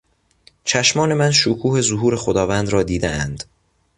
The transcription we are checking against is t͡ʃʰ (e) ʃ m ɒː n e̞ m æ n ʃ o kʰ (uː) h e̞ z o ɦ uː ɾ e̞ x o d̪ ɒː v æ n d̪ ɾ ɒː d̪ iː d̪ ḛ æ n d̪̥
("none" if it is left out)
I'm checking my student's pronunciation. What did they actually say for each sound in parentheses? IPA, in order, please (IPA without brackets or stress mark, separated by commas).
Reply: æ, uː